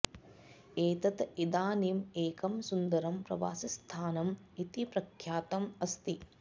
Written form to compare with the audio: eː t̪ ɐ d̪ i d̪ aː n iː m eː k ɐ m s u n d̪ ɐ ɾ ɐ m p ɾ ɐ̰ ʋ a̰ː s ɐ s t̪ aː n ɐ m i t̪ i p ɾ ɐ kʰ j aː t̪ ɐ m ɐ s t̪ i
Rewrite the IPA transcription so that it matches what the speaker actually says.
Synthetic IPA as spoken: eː t̪ ɐ t̪ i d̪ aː n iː m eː k ɐ m s u n d̪ ɐ ɾ ɐ m p ɾ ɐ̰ ʋ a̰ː s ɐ s t̪ʰ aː n ɐ m i t̪ i p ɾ ɐ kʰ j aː t̪ ɐ m ɐ s t̪ i